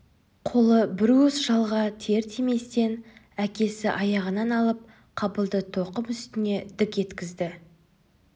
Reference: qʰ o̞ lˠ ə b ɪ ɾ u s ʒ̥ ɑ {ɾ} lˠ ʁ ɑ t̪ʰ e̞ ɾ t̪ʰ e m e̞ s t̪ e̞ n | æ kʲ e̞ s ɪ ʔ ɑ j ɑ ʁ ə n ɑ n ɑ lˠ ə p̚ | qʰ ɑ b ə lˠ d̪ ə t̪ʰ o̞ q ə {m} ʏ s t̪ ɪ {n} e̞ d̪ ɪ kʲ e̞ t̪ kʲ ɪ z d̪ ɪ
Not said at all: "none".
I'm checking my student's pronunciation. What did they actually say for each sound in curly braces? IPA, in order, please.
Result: none, m, n

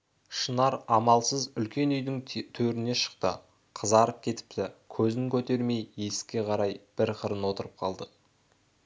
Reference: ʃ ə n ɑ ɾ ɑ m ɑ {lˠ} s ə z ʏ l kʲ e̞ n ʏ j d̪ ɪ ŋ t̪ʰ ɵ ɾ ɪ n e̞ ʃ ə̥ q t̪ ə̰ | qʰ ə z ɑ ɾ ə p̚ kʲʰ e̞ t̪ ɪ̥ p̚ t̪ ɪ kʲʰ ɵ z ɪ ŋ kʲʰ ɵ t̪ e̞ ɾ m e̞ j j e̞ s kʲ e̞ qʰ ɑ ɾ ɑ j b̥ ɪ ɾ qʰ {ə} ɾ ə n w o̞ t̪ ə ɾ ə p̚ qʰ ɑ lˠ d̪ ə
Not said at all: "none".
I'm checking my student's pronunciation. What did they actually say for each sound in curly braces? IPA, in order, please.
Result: lˠ, ə

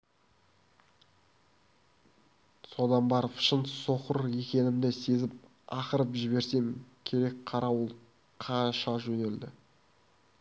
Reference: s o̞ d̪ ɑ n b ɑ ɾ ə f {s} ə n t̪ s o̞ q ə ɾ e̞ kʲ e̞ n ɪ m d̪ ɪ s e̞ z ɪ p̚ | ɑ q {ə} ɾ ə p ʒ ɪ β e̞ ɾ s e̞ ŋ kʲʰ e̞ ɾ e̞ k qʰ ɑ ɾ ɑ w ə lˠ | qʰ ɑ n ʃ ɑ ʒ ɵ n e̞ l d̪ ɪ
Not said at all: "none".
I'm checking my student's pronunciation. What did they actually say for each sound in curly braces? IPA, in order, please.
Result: ʃ, ə

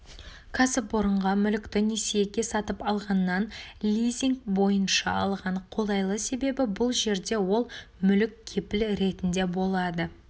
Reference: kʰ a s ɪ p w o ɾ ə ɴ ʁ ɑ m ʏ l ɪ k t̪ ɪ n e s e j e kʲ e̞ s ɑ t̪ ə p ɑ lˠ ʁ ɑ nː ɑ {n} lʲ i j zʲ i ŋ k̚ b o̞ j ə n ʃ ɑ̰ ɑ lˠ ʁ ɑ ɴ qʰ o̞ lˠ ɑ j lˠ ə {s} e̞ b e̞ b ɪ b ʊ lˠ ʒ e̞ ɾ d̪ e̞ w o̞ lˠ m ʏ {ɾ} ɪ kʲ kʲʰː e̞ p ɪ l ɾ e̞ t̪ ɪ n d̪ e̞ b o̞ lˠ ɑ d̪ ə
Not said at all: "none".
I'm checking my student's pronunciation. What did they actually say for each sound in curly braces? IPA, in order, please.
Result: n, s, l

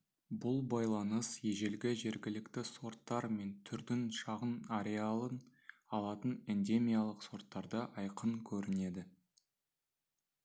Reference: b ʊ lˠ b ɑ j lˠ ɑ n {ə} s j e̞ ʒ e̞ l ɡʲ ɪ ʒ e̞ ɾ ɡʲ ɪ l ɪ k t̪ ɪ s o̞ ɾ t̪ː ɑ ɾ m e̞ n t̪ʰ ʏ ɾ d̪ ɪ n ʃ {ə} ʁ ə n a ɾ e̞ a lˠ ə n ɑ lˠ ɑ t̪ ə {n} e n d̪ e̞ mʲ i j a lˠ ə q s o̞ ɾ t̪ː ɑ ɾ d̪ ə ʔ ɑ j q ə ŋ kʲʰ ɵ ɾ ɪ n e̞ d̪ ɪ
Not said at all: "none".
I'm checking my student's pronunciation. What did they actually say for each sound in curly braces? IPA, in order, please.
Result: ə, ɑ, n

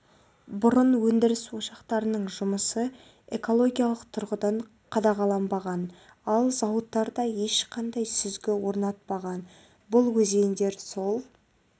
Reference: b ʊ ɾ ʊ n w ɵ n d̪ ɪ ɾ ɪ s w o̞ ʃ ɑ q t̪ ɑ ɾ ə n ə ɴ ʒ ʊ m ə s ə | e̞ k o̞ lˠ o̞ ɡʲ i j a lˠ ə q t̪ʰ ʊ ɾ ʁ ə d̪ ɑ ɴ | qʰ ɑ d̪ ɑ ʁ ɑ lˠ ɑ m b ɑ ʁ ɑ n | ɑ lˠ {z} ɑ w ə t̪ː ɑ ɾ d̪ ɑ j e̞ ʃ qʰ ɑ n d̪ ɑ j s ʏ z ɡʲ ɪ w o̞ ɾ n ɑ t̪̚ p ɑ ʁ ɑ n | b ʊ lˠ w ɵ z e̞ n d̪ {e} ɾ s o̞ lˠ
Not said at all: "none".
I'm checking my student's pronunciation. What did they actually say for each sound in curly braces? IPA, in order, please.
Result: z, e

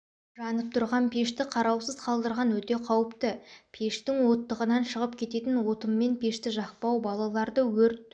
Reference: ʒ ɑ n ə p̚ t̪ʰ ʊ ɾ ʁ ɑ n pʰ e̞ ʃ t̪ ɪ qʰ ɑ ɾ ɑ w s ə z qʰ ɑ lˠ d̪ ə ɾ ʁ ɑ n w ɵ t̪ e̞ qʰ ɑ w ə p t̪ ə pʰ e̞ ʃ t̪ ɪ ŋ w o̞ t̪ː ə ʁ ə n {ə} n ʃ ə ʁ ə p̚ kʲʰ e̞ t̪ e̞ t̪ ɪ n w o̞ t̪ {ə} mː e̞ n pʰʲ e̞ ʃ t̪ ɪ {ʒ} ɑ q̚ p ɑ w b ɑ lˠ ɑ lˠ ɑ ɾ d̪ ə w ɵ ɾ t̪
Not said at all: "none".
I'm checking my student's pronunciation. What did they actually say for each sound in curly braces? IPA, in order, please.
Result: ɑ, ə, ʒ

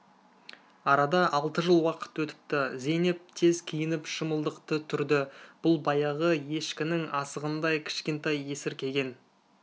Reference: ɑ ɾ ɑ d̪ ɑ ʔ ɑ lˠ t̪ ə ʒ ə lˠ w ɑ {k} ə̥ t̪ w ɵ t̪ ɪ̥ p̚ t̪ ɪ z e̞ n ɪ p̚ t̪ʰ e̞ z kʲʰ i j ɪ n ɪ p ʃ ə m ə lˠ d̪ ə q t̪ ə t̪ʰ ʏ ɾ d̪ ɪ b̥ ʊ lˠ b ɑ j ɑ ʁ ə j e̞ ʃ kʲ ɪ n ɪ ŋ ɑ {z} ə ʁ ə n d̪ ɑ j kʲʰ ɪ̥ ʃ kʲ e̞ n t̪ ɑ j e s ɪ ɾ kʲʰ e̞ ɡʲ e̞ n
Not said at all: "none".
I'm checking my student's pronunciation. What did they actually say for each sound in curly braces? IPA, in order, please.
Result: q, s

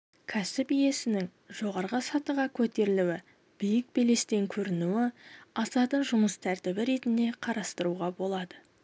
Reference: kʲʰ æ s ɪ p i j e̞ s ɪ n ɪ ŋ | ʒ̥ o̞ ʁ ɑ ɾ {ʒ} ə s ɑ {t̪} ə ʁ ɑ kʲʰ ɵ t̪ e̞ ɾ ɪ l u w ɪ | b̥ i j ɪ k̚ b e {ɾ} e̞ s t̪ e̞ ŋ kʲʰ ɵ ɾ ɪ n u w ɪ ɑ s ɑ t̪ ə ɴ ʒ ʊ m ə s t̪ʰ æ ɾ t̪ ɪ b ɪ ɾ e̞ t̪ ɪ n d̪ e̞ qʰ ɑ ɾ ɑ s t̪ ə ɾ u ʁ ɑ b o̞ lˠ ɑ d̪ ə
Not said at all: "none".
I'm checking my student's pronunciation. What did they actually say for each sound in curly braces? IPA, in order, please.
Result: ʁ, t̪, l

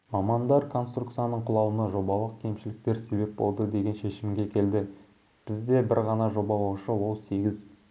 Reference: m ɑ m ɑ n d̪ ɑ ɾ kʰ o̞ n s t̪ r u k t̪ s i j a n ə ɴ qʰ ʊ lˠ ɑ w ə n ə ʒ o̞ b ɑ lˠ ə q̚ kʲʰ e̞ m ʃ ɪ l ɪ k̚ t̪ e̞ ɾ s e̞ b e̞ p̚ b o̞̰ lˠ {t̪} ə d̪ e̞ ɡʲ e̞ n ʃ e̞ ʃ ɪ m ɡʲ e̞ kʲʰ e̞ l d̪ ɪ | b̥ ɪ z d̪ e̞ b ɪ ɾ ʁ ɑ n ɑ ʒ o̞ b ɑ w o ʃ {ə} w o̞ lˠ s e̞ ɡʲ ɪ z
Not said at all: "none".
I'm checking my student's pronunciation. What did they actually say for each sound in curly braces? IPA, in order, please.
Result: d̪, ə

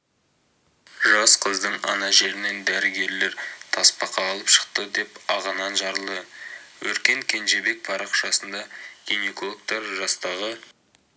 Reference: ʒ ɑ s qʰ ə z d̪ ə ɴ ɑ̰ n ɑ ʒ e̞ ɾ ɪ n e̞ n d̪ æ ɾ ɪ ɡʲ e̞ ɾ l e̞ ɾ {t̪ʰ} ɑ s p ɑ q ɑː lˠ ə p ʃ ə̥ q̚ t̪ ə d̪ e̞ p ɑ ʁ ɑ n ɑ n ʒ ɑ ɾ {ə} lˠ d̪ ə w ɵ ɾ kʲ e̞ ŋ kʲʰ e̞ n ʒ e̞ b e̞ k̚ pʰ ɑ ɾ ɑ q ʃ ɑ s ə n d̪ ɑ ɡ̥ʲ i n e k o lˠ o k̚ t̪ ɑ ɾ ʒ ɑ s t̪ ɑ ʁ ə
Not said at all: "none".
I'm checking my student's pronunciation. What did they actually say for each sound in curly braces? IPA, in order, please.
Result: t̪ʰ, ə

